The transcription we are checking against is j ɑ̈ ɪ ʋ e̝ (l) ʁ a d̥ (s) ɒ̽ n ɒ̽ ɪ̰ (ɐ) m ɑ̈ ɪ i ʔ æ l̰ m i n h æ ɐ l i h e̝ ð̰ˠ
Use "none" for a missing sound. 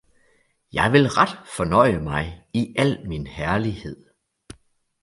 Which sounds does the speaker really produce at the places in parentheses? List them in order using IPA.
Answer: l, f, ə

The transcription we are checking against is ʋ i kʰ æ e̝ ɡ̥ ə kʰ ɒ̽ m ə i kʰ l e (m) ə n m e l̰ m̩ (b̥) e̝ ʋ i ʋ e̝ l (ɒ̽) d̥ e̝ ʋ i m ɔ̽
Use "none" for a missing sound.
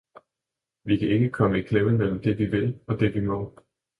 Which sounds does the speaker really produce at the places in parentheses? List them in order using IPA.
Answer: m, d̥, ɒ̽

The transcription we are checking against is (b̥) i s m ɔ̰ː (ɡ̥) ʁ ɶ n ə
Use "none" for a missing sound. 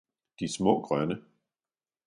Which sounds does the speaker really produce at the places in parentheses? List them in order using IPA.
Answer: d̥, ɡ̥

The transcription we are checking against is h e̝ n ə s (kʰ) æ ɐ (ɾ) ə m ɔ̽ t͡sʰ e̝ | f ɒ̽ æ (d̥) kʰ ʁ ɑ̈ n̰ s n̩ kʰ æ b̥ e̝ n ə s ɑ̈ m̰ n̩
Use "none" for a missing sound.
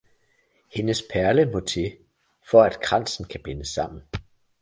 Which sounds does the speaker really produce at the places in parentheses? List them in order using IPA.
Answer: pʰ, l, d̥

